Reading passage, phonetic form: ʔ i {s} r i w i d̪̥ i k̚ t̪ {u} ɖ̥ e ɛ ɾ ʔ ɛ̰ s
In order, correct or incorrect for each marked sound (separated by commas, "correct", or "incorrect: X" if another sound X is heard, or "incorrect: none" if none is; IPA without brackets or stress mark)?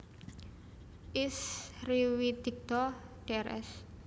correct, incorrect: ɔ